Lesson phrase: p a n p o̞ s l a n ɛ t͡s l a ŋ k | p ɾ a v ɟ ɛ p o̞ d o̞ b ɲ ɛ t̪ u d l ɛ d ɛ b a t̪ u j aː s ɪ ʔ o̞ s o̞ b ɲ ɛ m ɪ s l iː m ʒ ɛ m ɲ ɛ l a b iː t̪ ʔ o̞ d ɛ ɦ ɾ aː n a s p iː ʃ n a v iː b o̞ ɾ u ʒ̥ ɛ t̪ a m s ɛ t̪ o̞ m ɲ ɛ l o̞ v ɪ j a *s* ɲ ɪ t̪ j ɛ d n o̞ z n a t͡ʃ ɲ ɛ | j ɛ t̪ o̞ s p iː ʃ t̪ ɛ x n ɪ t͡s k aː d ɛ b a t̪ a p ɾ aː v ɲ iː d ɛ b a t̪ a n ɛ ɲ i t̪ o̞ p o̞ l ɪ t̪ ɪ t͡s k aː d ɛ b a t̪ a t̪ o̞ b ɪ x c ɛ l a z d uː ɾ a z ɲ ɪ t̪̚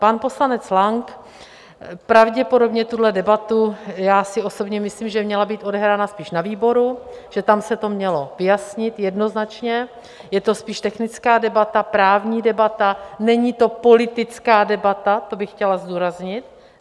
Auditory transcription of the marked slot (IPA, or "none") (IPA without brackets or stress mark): s